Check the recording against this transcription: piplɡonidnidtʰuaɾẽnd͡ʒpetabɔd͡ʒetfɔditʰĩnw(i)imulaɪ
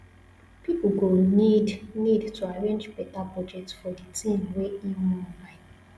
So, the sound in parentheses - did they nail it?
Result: no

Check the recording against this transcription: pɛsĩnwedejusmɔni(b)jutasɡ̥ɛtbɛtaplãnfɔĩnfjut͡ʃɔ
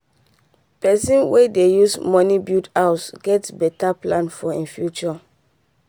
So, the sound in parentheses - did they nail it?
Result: yes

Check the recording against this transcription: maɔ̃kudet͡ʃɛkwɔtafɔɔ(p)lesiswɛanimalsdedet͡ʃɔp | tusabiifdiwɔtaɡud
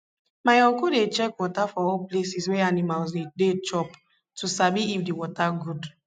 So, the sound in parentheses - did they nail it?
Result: yes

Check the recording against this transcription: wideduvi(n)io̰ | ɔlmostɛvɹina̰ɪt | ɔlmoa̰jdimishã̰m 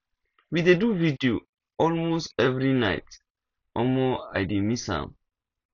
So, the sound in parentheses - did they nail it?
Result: no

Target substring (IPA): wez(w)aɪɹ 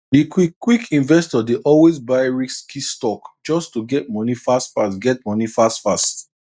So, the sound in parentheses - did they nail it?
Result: no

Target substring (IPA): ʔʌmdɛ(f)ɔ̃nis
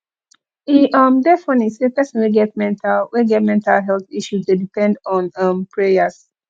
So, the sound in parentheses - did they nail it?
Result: yes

